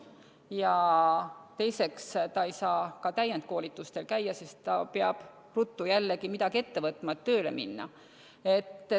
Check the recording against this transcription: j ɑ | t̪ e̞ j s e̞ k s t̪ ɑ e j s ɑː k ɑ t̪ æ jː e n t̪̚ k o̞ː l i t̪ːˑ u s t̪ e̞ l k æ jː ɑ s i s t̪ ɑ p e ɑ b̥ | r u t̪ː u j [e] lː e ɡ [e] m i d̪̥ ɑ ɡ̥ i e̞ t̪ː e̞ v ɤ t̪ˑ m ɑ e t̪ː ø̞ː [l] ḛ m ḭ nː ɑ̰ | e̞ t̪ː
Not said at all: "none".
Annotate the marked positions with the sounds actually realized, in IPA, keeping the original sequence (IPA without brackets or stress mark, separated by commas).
æ, i, l